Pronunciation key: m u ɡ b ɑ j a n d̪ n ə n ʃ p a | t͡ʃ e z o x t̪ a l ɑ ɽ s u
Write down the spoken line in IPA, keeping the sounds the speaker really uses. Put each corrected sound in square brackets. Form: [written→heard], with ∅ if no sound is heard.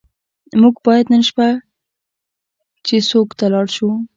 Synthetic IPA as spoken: m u ɡ b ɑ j a [n→∅] d̪ n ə n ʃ p a | t͡ʃ e [z→s] o [x→k] t̪ a l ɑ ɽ [s→ʃ] u

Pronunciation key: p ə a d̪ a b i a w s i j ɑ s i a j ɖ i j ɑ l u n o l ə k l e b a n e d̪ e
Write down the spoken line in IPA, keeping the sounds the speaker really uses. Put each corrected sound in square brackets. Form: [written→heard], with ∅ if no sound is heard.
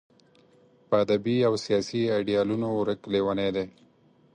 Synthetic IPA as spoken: p ə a d̪ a b i a w s i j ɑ s i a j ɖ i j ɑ l u n o [l→ɾ] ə k l e [b→w] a n e d̪ e

